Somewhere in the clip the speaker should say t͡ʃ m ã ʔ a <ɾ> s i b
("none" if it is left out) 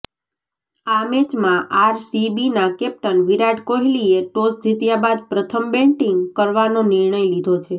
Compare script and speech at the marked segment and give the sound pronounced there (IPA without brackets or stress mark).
ɾ